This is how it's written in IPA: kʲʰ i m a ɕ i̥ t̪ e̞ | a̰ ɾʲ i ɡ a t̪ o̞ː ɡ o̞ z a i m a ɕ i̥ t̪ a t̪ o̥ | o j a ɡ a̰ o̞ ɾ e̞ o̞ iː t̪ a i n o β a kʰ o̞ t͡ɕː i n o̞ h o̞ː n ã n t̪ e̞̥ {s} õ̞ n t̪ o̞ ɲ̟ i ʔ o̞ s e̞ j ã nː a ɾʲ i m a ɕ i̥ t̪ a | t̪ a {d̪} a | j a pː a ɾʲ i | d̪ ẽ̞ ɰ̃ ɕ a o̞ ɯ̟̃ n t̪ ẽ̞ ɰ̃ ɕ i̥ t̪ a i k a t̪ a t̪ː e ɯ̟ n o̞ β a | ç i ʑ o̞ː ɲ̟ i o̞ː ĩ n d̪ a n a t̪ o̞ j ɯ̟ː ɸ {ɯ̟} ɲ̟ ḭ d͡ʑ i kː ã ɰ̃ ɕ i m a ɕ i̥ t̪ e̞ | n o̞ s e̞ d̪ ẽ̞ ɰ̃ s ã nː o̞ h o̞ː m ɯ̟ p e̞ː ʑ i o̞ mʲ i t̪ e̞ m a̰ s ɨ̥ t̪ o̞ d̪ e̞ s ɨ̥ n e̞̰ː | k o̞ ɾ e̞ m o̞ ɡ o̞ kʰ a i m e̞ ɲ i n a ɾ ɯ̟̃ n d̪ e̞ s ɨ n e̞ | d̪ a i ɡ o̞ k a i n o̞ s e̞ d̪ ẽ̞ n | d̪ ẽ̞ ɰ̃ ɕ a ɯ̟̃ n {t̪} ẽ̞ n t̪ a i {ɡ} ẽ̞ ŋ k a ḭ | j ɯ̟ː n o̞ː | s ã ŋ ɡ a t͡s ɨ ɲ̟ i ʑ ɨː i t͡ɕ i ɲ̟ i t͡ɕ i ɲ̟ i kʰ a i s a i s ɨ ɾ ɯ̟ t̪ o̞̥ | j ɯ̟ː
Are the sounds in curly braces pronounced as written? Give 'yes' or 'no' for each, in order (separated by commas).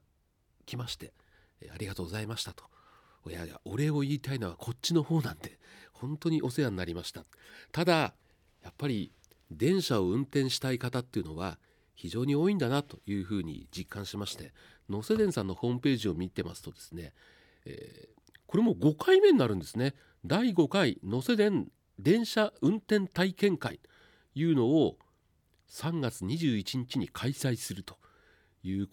no, yes, no, yes, no